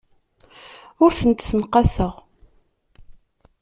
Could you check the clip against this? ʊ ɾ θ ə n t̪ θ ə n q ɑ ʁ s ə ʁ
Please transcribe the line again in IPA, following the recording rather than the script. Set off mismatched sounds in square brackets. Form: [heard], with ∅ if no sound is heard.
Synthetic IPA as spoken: ʊ ɾ θ ə n t̪ [s] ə n q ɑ [∅] s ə ʁ